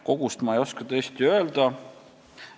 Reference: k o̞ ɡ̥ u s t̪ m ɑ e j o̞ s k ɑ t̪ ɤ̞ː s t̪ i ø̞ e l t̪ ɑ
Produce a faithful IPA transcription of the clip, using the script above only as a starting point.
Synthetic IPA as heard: k o̞ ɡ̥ u s t̪ m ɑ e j o̞ s k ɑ t̪ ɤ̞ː s t̪ i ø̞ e l d̪ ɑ